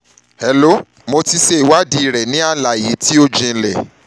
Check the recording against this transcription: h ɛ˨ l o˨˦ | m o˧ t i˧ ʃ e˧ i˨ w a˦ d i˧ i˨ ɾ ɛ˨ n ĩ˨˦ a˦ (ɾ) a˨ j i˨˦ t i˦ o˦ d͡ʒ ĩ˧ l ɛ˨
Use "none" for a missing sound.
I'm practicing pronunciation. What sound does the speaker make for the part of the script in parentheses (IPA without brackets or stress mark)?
l